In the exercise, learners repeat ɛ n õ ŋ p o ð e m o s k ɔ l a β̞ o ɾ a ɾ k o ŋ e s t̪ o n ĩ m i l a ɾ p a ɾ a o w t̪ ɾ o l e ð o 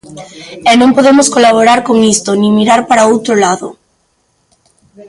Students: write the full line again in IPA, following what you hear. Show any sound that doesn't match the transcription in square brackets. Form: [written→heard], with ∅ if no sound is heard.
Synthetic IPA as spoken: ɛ n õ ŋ p o ð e m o s k [ɔ→o] l a β̞ o ɾ a ɾ k o ŋ [e→i] s t̪ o n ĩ m i [l→ɾ] a ɾ p a ɾ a o w t̪ ɾ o l [e→a] ð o